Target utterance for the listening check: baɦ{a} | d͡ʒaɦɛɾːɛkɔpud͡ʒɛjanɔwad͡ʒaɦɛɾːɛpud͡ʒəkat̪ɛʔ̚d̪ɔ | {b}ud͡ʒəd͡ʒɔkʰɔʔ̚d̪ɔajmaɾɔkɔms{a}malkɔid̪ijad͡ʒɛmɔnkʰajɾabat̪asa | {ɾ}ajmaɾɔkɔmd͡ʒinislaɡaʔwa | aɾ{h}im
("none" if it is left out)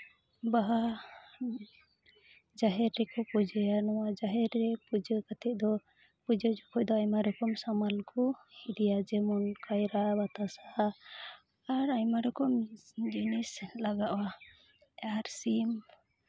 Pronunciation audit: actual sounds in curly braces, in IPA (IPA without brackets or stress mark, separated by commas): a, p, a, ɾ, s